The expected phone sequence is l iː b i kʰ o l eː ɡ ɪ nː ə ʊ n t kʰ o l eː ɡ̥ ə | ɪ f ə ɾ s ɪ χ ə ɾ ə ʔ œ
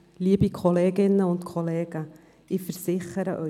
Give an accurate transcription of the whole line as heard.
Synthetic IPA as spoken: l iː b i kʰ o l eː ɡ ɪ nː ə ʊ n t kʰ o l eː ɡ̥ ə | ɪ f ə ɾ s ɪ χ ə ɾ ə ʔ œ